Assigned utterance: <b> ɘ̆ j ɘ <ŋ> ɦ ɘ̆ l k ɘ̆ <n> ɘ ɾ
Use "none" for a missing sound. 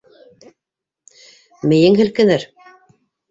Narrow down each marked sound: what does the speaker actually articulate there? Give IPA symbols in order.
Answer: m, ŋ, n

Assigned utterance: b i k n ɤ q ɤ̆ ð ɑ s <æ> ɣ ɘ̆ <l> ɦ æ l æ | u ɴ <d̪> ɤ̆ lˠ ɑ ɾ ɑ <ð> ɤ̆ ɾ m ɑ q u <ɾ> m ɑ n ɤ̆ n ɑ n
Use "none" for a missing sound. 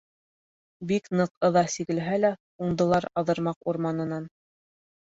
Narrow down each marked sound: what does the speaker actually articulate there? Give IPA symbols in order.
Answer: i, l, d̪, ð, ɾ

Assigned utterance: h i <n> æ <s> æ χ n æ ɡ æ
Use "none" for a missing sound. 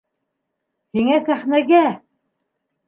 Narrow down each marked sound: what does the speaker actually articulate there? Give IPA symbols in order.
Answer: ŋ, s

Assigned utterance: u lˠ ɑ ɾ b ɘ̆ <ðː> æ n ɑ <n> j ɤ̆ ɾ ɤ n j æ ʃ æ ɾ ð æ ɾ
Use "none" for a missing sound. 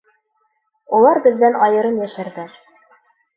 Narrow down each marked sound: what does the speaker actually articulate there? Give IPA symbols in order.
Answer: ðː, none

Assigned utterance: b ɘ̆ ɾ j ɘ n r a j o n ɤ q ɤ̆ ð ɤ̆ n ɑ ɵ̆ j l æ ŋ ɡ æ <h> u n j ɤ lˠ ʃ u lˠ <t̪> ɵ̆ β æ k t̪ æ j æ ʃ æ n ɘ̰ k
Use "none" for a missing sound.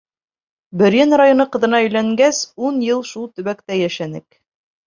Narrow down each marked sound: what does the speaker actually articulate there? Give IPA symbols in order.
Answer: s, t̪

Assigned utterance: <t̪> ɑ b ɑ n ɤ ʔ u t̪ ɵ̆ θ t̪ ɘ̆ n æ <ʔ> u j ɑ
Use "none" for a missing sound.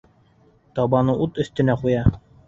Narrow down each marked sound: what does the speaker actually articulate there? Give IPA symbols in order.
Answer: t̪, q

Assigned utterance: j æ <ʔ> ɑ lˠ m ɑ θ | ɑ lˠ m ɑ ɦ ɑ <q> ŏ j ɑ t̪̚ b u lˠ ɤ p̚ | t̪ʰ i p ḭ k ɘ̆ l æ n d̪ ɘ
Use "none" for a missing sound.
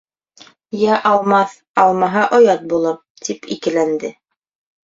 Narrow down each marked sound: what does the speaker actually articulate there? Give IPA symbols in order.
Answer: ʔ, ʔ

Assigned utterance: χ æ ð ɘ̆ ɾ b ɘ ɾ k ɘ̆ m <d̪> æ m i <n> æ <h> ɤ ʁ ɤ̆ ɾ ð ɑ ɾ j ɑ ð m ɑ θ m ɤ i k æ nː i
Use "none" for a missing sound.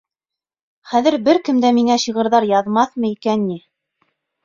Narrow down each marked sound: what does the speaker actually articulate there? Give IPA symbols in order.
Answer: d̪, ŋ, ɕ

